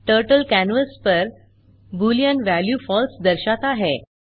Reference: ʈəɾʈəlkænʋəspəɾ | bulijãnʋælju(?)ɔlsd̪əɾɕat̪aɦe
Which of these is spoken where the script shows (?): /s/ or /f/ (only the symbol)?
f